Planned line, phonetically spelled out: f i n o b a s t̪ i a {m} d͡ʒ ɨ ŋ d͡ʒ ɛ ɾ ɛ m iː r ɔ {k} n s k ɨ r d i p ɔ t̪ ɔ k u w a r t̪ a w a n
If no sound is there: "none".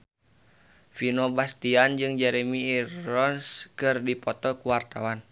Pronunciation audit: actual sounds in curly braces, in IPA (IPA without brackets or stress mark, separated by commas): n, none